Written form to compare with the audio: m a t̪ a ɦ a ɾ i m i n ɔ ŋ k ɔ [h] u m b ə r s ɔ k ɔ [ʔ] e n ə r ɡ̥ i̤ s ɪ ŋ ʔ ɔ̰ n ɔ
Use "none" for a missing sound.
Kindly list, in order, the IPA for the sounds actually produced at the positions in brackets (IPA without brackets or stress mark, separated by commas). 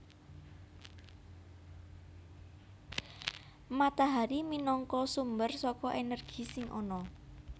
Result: s, ʔ